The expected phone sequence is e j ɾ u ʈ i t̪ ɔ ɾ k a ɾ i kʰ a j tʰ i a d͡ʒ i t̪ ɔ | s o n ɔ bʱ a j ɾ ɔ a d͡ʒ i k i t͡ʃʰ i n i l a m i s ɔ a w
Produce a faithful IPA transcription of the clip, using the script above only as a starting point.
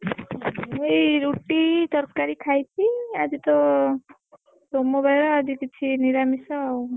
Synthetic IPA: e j ɾ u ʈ i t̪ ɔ ɾ k a ɾ i kʰ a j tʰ i a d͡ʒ i t̪ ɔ | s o m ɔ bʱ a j ɾ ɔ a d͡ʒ i k i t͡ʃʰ i n i ɾ a m i s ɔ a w